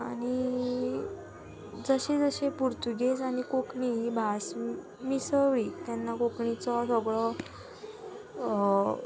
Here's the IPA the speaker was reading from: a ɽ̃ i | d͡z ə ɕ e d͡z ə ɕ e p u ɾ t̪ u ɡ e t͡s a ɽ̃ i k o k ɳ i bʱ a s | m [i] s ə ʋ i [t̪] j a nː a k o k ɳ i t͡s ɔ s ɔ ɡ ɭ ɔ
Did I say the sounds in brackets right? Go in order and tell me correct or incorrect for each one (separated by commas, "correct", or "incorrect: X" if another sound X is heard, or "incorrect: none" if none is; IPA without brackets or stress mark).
correct, correct